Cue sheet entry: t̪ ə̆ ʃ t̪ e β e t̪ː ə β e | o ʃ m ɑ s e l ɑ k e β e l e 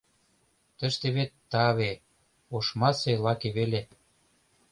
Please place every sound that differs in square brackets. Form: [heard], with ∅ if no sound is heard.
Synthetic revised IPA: t̪ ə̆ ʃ t̪ e β e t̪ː [ɑ] β e | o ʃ m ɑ s e l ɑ k e β e l e